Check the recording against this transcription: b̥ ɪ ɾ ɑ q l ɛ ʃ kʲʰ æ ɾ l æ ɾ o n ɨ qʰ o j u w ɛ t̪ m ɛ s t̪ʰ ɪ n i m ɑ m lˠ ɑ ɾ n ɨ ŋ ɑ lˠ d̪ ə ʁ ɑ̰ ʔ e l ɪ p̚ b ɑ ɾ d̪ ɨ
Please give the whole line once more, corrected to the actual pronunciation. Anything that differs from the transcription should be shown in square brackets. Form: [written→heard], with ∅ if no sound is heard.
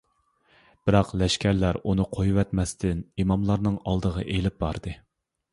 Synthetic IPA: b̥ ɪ ɾ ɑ q l ɛ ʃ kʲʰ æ ɾ l æ ɾ [o→u] n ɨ qʰ o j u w ɛ t̪ m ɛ s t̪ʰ ɪ n i m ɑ m lˠ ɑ ɾ n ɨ ŋ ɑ lˠ d̪ ə ʁ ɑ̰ ʔ e l ɪ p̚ b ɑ ɾ d̪ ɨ